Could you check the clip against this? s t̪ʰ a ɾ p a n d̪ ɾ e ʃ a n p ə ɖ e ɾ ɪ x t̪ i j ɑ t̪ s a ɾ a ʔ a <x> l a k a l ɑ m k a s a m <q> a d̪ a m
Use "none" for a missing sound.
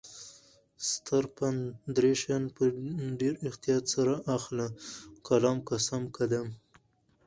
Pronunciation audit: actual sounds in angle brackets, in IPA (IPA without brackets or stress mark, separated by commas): x, k